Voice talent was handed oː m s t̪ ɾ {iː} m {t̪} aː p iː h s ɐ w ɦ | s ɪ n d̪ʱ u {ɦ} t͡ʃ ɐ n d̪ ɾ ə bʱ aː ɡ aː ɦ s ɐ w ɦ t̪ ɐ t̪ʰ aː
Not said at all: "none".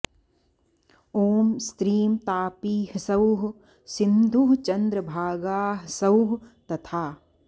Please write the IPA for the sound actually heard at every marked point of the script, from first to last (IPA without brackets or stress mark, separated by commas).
iː, t̪, ɦ